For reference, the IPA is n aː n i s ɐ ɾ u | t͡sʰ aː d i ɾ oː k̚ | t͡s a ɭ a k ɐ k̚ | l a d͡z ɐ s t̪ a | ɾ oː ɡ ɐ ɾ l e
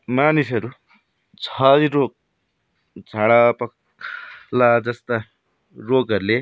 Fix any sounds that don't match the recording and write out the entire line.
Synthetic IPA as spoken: m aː n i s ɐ ɾ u | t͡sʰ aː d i ɾ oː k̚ | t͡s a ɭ a p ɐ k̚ | l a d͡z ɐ s t̪ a | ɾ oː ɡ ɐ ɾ l e